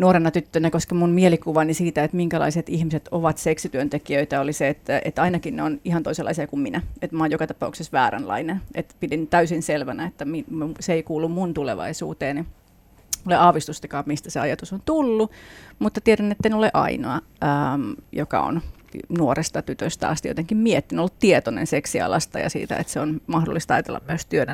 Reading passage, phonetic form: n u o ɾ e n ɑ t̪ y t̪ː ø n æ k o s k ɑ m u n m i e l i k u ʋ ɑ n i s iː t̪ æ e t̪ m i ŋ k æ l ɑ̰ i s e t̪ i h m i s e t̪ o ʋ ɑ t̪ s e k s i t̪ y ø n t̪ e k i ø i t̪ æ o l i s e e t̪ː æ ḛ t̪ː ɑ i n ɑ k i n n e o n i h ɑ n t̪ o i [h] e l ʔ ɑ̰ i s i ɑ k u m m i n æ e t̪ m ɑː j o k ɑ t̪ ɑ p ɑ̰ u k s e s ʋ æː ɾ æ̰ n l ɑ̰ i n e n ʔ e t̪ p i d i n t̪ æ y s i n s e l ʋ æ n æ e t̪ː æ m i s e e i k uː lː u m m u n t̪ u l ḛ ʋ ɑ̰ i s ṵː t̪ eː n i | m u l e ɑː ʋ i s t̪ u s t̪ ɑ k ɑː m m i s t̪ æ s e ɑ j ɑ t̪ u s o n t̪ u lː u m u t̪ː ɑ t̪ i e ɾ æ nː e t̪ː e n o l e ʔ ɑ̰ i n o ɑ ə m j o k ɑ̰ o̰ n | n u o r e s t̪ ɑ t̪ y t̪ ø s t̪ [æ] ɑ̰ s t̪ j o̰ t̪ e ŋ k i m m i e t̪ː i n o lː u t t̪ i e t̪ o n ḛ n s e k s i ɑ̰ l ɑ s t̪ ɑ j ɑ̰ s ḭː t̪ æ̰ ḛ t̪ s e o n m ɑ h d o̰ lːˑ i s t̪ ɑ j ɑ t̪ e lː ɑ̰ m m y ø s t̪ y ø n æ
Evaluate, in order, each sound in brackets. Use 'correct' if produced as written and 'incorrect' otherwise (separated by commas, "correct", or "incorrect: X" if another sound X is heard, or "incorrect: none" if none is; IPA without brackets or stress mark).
incorrect: s, correct